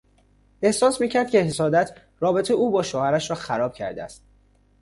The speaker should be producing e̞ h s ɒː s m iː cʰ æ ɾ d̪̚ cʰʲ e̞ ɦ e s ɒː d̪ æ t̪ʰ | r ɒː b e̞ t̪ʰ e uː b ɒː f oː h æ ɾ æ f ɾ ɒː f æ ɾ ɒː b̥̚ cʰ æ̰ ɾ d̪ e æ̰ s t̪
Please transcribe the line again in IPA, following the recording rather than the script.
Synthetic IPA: e̞ h s ɒː s m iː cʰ æ ɾ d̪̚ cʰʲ e̞ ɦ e s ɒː d̪ æ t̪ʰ | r ɒː b e̞ t̪ʰ e uː b ɒː ʃ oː h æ ɾ æ ʃ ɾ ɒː x æ ɾ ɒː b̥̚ cʰ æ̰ ɾ d̪ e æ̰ s t̪